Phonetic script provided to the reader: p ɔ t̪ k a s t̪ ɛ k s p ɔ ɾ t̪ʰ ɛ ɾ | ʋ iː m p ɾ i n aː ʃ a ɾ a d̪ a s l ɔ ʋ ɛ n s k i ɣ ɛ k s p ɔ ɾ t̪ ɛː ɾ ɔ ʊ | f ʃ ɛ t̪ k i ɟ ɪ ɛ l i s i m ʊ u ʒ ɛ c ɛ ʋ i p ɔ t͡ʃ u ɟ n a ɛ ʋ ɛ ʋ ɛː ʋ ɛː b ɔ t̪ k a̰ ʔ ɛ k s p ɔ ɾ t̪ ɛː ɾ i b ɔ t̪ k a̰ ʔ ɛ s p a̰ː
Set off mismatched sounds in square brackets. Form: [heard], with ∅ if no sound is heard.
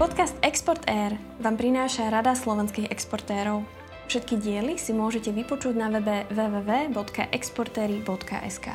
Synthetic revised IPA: p ɔ t̪ k a s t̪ ɛ k s p ɔ ɾ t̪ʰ ɛ ɾ | ʋ [aː] m p ɾ i n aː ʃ a ɾ a d̪ a s l ɔ ʋ ɛ n s k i ɣ ɛ k s p ɔ ɾ t̪ ɛː ɾ ɔ ʊ | f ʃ ɛ t̪ k i ɟ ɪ ɛ l i s i m ʊ [ɔ] ʒ ɛ c ɛ ʋ i p ɔ t͡ʃ u ɟ n a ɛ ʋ ɛ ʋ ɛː ʋ ɛː b ɔ t̪ k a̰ ʔ ɛ k s p ɔ ɾ t̪ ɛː ɾ i b ɔ t̪ k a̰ ʔ ɛ s [k] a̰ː